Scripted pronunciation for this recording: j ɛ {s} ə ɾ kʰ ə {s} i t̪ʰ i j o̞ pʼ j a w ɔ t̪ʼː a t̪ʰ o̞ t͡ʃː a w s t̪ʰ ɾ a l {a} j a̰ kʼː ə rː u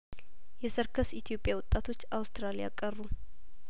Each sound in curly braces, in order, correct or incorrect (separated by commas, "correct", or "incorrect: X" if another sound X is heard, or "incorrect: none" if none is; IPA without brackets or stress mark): correct, correct, incorrect: i